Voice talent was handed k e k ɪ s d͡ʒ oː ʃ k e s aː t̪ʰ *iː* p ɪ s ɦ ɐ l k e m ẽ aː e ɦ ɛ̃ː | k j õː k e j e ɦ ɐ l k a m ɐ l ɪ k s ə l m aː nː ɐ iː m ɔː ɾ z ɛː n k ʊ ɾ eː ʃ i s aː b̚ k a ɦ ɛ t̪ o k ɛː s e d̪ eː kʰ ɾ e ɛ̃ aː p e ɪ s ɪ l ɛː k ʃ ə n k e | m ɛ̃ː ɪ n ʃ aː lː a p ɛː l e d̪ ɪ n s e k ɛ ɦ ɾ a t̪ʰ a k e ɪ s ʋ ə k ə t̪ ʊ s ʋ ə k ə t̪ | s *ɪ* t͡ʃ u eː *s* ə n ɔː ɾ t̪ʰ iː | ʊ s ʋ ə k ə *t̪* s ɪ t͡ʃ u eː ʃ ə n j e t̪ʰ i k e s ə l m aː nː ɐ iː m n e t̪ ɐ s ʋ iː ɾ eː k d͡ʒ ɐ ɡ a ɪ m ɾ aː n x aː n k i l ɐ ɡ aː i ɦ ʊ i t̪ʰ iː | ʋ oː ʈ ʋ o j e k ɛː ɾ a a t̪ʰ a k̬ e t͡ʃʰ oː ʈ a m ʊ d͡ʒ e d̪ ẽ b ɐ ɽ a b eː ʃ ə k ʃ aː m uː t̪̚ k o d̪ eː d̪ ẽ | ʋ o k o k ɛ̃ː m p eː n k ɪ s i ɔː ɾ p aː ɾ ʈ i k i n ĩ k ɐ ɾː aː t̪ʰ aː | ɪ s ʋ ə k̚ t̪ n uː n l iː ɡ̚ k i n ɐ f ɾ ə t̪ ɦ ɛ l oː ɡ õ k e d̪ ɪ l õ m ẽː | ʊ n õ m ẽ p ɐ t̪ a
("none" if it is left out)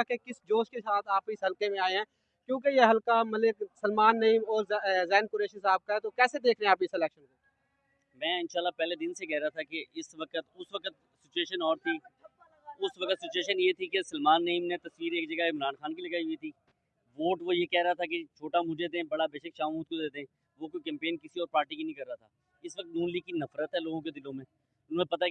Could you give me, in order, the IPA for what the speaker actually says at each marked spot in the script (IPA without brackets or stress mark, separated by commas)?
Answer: aː, ɪ, ʃ, t̪